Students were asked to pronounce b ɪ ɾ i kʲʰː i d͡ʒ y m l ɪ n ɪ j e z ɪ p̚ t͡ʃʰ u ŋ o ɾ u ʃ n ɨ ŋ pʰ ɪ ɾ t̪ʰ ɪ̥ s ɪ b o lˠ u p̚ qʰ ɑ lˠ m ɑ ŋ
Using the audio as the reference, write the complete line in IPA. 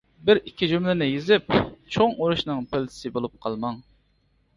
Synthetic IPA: b ɪ ɾ i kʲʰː i d͡ʒ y m l ɪ n ɪ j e z ɪ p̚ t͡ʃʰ o ŋ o ɾ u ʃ n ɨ ŋ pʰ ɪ l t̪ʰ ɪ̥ s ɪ b o lˠ u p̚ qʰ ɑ lˠ m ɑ ŋ

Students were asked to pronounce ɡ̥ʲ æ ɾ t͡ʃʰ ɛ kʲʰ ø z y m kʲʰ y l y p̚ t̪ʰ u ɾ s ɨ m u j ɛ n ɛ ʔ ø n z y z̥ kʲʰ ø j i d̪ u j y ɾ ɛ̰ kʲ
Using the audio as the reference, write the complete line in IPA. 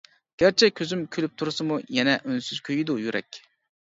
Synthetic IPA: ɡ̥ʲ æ ɾ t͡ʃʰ ɛ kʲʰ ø z y m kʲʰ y l y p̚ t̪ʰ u ɾ s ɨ m u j ɛ n ɛ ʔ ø n s y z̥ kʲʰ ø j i d̪ u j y ɾ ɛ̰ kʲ

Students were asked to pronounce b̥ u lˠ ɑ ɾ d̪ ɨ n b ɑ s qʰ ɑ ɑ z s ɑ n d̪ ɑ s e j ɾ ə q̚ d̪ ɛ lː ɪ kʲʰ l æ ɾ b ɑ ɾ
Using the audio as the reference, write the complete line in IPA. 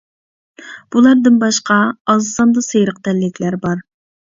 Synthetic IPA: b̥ u lˠ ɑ ɾ d̪ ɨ n b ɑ ʃ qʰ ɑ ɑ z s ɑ n d̪ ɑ s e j ɾ ə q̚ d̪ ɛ lː ɪ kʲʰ l æ ɾ b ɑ ɾ

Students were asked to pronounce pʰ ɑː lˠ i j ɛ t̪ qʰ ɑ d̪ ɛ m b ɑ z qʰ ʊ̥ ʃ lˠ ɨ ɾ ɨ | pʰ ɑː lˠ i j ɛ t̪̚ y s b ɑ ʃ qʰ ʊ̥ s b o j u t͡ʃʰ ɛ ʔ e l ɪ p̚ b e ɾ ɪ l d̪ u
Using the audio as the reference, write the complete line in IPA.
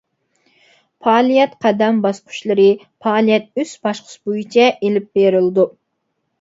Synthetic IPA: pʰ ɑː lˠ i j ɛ t̪ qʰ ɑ d̪ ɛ m b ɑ s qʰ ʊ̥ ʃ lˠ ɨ ɾ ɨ | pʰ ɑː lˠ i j ɛ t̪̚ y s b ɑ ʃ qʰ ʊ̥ s b o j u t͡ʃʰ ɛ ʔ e l ɪ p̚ b e ɾ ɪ l d̪ u

